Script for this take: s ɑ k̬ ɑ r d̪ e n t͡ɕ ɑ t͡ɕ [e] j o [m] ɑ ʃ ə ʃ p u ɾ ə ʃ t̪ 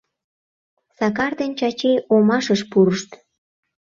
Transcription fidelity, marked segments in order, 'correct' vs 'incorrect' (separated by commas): correct, correct